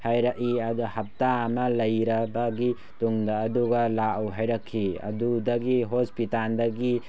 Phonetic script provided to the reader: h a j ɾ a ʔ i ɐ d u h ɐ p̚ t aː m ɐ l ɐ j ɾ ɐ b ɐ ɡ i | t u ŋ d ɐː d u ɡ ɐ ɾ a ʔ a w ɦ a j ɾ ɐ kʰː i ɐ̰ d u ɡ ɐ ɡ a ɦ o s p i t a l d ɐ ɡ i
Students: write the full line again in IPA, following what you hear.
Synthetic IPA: h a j ɾ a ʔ i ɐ d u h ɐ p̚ t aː m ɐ l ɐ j ɾ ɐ b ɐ ɡ i | t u ŋ d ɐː d u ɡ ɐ l a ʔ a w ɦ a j ɾ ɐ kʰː i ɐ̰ d u d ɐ ɡ i ɦ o s p i t a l d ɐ ɡ i